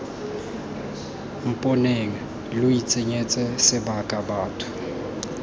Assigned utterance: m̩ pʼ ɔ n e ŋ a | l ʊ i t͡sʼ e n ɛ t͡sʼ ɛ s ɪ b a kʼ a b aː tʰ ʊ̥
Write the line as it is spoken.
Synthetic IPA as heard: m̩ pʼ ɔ n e ŋ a | l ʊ i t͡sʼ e ɲ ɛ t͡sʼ ɛ s ɪ b a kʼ a b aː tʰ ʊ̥